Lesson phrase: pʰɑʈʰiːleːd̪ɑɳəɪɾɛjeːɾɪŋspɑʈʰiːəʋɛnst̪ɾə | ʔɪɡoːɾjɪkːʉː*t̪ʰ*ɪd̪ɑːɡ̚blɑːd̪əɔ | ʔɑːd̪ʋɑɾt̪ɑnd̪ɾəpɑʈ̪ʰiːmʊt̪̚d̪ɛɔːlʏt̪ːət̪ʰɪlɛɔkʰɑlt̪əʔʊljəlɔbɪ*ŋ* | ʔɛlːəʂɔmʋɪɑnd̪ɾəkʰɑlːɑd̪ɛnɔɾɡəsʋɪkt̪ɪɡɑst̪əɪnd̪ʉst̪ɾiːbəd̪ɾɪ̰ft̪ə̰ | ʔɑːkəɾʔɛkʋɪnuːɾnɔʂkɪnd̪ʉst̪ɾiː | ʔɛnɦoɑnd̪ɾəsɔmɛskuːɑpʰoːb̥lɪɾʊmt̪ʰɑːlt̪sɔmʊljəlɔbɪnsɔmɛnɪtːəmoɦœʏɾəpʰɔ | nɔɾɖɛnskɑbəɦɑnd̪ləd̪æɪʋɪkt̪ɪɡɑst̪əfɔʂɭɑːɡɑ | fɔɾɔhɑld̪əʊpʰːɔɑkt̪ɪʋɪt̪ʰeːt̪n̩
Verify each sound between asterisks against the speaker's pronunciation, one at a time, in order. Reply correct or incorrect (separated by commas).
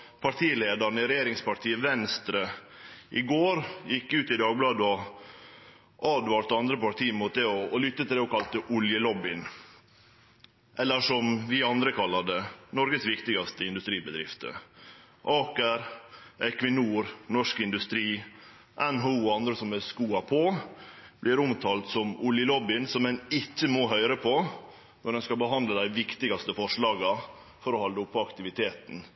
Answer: incorrect, incorrect